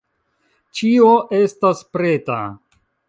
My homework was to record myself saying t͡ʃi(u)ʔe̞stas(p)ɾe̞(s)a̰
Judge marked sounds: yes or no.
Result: no, yes, no

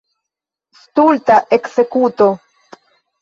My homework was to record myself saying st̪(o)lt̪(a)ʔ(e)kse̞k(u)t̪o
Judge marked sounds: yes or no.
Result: no, yes, yes, yes

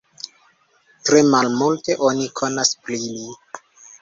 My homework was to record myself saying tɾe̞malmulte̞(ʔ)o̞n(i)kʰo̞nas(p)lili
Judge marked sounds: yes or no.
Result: yes, yes, yes

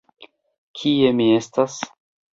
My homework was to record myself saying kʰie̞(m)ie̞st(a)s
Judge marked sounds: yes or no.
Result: yes, yes

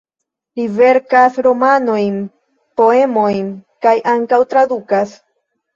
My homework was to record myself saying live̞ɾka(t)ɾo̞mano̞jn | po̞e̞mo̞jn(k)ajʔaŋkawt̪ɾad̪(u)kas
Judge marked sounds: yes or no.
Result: no, yes, yes

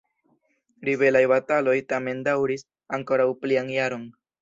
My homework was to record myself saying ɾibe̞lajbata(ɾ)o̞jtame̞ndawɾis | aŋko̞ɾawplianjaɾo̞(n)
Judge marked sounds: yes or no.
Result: no, yes

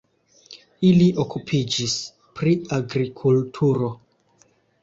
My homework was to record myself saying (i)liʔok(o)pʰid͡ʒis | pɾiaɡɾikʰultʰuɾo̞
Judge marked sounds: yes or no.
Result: yes, no

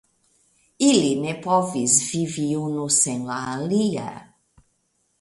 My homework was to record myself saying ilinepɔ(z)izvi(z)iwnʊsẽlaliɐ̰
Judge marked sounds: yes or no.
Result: no, no

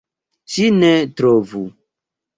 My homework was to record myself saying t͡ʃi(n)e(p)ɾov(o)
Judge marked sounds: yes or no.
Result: yes, no, no

